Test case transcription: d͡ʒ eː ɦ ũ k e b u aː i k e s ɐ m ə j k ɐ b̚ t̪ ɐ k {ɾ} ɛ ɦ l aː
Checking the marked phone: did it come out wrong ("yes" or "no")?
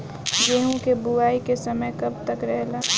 no